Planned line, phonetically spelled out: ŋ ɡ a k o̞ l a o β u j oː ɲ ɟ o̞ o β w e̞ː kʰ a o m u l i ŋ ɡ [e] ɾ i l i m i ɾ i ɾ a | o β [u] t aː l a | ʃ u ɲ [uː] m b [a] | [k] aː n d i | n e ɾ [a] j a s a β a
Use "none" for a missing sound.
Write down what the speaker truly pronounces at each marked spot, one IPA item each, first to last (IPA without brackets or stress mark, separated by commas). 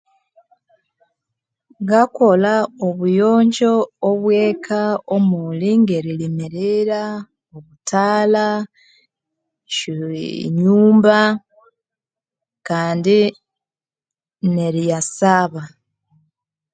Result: e, u, uː, a, k, i